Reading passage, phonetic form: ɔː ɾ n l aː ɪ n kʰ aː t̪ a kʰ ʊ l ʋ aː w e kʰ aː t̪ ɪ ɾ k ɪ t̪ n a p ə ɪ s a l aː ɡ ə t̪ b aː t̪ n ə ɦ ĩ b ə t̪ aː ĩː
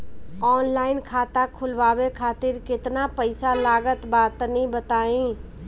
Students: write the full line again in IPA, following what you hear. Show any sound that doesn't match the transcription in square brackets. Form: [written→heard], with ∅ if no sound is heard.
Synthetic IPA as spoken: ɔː [ɾ→∅] n l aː ɪ n kʰ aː t̪ a kʰ ʊ l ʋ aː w e kʰ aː t̪ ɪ ɾ k ɪ t̪ n a p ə ɪ s a l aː ɡ ə t̪ b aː t̪ n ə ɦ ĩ b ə t̪ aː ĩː